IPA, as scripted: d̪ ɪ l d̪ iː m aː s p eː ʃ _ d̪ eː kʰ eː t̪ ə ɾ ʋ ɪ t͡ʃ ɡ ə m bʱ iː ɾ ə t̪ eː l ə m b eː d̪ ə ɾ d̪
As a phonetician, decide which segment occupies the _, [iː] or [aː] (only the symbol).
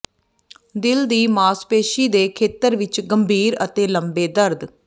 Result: iː